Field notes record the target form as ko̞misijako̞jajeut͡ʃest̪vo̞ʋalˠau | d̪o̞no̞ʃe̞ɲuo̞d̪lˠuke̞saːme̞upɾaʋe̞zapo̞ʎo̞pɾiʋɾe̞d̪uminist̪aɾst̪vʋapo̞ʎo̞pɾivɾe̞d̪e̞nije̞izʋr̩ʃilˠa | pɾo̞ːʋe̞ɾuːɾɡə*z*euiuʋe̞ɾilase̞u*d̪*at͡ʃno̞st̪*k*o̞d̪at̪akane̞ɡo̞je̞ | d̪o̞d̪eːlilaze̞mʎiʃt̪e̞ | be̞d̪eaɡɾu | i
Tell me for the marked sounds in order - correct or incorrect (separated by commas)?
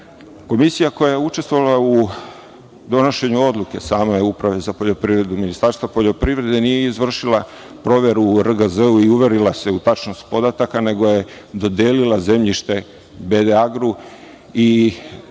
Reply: correct, incorrect, incorrect